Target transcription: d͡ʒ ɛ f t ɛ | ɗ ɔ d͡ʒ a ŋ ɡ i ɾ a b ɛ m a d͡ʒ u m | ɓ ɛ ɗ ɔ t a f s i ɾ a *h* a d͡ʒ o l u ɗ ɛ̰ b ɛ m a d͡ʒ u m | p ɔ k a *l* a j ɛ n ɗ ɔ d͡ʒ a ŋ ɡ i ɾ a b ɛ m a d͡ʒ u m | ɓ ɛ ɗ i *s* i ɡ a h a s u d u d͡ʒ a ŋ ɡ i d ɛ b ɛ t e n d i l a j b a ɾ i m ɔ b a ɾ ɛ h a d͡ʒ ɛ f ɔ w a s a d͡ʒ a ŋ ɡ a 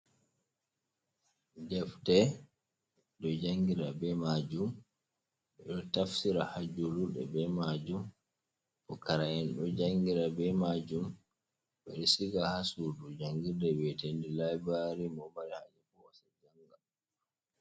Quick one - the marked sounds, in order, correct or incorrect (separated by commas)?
correct, incorrect, correct